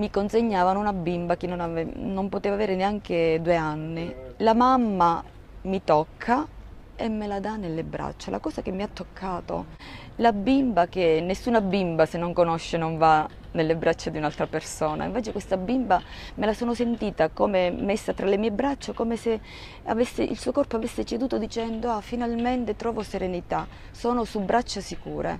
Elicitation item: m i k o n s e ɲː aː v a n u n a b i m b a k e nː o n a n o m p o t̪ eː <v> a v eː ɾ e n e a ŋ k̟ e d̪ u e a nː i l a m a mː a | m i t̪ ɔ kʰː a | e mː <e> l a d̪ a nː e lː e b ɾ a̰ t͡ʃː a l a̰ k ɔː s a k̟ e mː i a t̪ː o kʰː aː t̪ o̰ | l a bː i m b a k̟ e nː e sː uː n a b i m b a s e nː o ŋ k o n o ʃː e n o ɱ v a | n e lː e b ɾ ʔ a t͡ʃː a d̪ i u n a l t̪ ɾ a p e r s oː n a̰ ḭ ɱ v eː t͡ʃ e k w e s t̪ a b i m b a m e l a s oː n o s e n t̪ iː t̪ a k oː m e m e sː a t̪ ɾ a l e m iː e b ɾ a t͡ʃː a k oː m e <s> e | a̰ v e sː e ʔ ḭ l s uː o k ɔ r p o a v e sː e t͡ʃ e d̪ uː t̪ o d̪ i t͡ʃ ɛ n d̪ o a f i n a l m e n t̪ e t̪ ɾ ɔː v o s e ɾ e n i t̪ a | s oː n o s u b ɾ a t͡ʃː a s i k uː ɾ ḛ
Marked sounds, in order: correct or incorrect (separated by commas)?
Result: correct, correct, correct